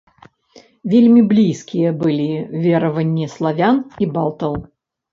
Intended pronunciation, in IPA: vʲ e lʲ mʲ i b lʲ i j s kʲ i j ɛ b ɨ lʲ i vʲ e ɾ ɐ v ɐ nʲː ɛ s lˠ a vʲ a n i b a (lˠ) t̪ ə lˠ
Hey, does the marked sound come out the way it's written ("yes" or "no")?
yes